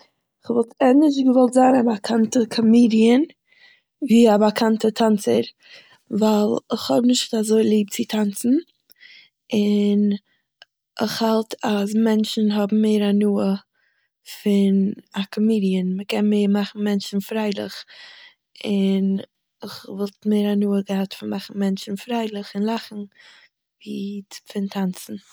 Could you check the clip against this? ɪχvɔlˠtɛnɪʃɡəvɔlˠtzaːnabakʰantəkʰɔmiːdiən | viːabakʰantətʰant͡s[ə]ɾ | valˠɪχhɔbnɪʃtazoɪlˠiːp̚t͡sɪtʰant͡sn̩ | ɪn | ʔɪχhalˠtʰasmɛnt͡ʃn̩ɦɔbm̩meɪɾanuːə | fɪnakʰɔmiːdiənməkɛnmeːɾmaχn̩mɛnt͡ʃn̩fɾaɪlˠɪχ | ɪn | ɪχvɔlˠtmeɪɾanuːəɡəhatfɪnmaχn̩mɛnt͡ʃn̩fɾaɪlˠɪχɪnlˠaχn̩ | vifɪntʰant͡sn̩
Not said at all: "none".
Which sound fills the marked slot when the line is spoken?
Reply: ə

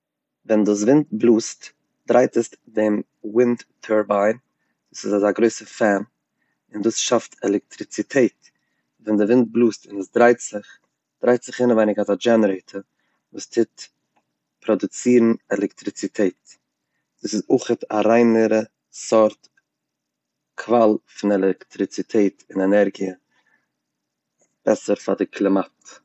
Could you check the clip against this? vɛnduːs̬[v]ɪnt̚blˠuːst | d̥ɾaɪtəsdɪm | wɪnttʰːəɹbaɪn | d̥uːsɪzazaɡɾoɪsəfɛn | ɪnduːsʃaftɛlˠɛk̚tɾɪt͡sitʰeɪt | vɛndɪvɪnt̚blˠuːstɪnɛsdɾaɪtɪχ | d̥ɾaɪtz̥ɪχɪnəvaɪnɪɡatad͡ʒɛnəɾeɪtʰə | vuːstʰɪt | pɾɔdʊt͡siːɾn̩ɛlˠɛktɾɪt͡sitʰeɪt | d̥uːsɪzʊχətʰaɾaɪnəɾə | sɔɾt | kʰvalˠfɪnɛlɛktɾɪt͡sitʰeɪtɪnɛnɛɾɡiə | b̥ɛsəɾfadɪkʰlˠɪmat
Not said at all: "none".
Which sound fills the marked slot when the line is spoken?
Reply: v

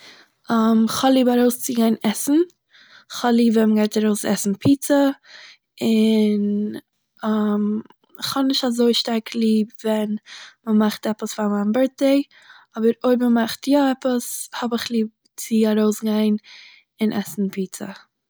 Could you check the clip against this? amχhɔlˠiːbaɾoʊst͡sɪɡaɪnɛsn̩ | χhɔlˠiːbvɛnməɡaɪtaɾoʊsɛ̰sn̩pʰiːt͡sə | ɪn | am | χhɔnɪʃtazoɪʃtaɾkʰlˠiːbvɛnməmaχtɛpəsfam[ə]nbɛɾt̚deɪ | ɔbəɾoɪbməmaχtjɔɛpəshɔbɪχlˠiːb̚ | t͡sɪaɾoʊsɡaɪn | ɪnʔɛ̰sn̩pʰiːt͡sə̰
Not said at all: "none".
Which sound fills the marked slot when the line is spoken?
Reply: a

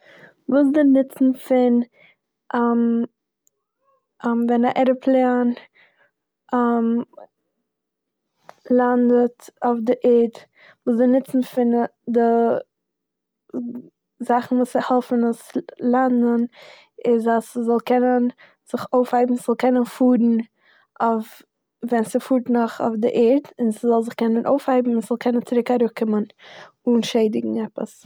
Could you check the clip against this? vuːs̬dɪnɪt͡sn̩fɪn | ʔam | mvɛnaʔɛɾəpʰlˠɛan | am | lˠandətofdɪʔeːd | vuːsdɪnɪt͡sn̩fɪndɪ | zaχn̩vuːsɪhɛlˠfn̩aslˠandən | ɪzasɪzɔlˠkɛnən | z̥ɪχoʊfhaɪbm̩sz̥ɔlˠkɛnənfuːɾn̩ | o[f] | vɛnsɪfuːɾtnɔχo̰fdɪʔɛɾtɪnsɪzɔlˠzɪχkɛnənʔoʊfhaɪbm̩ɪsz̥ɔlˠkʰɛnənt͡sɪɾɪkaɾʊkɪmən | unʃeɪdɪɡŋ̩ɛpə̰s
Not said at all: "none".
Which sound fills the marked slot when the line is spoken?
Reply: f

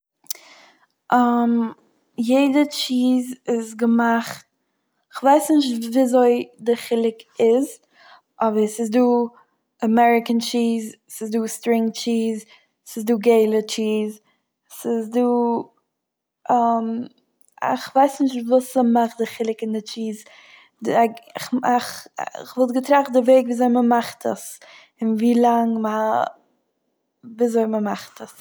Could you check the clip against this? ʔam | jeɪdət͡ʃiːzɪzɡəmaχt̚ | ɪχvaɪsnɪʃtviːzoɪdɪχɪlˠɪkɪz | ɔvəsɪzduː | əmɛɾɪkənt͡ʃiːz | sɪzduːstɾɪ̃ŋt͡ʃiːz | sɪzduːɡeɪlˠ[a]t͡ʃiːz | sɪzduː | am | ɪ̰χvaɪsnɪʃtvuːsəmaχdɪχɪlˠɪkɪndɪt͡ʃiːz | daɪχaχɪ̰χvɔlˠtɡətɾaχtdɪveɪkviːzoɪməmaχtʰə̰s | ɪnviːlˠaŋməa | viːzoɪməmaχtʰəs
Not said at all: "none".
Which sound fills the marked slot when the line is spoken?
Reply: ə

